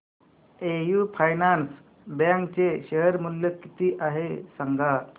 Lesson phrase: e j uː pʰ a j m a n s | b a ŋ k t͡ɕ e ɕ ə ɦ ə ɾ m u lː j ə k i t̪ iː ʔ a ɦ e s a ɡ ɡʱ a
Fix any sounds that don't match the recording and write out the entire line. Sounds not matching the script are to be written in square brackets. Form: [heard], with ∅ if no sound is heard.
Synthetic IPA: e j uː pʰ a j [n] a n s | b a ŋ k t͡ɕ e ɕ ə ɦ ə ɾ m u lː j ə k i t̪ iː ʔ a ɦ e s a [ŋ] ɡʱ a